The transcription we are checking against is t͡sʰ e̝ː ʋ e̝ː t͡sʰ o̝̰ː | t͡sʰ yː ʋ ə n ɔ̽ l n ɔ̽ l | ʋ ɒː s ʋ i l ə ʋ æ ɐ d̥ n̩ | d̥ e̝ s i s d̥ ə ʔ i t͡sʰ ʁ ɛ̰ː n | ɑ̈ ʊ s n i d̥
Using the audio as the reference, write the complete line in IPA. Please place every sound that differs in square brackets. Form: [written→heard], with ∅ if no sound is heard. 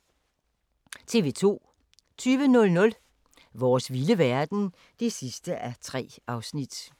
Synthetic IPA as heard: t͡sʰ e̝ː ʋ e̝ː t͡sʰ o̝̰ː | t͡sʰ yː ʋ ə n ɔ̽ l n ɔ̽ l | ʋ ɒː s ʋ i l ə ʋ æ ɐ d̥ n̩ | d̥ e̝ s i s d̥ ə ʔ [i→æ] t͡sʰ ʁ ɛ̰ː [n→∅] | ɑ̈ ʊ s n i d̥